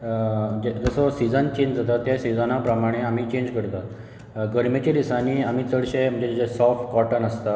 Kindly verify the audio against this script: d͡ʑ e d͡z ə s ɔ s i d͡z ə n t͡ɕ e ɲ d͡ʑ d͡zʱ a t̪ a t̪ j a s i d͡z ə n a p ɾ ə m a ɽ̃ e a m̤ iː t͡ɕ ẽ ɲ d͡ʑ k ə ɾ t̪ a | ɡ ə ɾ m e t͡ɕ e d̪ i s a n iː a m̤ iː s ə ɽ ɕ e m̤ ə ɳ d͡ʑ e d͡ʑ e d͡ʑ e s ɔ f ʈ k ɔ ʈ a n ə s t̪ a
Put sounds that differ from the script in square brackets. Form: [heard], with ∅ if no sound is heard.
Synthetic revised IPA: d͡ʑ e d͡z ə s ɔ s i d͡z ə n t͡ɕ e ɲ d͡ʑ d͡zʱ a t̪ a t̪ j a s i d͡z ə n a p ɾ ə m a ɽ̃ e a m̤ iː t͡ɕ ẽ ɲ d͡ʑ k ə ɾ t̪ a | ɡ ə ɾ m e t͡ɕ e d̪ i s a n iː a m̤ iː [t͡s] ə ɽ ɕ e m̤ ə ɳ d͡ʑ e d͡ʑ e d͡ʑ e s ɔ f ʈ k ɔ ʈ [ə] n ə s t̪ a